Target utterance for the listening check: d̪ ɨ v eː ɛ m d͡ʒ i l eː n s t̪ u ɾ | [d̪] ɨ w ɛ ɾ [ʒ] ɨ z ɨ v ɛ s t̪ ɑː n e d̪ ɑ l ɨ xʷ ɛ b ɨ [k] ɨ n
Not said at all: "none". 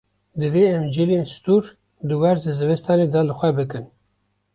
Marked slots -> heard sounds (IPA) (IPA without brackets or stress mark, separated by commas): d̪, z, k